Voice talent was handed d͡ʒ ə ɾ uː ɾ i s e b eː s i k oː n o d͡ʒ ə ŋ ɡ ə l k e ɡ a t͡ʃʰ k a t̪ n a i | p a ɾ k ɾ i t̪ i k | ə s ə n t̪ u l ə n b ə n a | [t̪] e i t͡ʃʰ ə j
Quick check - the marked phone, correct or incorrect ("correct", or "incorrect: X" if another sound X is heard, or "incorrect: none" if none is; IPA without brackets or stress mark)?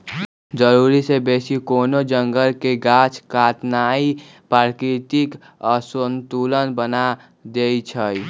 incorrect: d̪